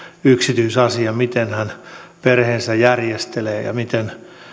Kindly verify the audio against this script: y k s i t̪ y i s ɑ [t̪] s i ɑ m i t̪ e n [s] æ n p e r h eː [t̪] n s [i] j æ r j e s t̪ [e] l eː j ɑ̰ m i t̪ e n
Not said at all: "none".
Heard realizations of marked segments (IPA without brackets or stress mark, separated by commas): none, h, none, æ, e